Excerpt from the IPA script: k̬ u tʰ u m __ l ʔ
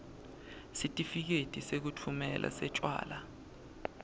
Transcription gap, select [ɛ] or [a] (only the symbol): ɛ